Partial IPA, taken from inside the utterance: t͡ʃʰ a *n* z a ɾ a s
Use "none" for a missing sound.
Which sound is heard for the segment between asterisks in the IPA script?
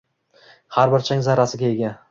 ŋ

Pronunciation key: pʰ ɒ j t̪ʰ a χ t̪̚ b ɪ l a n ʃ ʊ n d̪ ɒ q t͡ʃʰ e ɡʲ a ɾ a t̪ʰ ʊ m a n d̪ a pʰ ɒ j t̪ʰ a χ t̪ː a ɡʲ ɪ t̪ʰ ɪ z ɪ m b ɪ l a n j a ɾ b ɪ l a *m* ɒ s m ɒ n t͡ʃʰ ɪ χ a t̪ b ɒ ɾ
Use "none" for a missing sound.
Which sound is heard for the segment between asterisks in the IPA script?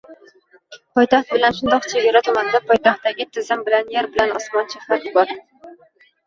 n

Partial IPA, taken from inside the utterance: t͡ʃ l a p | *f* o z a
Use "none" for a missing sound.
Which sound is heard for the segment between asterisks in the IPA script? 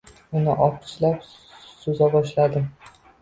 s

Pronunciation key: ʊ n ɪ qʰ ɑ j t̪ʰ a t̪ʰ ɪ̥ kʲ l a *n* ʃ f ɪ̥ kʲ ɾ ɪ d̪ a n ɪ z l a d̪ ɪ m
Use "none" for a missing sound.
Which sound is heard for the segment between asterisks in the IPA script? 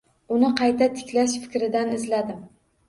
none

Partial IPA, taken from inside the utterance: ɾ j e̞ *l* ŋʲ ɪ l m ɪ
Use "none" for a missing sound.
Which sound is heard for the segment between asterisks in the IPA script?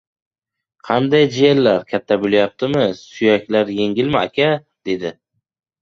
none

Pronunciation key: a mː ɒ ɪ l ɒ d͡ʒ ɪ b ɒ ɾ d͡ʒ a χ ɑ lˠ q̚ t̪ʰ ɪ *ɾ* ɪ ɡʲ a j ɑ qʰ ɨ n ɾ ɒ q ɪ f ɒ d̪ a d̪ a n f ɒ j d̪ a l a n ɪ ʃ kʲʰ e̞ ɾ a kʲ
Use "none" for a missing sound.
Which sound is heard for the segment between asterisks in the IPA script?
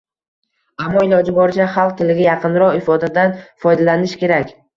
l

